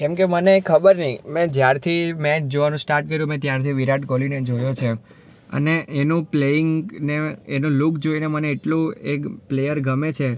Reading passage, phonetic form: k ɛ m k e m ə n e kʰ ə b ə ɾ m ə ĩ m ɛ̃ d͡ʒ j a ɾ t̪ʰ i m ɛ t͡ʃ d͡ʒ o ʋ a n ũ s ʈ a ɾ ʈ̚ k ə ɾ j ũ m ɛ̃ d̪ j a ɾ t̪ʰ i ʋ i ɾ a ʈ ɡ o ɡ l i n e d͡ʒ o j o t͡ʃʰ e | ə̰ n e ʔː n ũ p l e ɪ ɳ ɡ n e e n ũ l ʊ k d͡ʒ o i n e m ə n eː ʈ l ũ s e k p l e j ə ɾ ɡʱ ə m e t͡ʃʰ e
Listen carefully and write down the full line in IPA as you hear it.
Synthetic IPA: k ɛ m k e m ə n e kʰ ə b ə ɾ n ə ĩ m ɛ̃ d͡ʒ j a ɾ t̪ʰ i m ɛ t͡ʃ d͡ʒ o ʋ a n ũ s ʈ a ɾ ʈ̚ k ə ɾ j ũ m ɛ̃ t̪ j a ɾ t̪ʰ i ʋ i ɾ a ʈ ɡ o l i n e d͡ʒ o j o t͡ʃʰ e | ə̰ n e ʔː n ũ p l e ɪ ŋ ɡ n e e n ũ l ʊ k d͡ʒ o i n e m ə n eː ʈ l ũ e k p l e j ə ɾ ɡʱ ə m e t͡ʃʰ e